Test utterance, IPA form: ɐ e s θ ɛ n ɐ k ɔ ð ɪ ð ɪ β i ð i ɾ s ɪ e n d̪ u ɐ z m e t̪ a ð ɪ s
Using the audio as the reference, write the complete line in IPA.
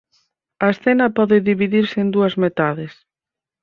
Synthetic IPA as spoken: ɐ e s θ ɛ n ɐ p ɔ ð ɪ ð i β i ð i ɾ s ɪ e n d̪ u ɐ z m e t̪ a ð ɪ s